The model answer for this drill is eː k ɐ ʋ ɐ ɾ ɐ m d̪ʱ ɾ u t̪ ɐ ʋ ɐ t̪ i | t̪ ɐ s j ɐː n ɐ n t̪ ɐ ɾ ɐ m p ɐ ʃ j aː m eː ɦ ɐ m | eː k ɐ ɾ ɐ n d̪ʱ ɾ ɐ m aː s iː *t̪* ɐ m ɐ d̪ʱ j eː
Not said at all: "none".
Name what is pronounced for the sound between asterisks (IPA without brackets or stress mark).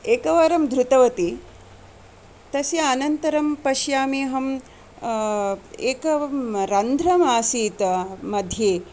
t̪